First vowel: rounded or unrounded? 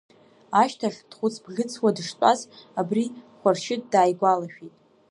unrounded